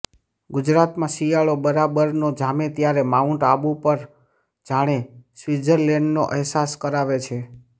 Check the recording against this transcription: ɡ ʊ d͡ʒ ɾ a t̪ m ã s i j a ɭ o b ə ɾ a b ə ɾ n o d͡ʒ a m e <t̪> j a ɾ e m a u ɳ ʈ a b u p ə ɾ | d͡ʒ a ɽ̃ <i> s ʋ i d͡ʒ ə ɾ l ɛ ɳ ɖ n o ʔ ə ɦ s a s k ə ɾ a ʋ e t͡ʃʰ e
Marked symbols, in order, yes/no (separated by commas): yes, no